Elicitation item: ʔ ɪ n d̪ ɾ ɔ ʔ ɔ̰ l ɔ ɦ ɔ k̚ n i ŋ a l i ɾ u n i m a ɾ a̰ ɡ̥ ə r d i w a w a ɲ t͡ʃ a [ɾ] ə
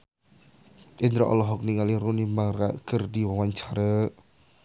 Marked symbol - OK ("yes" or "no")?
yes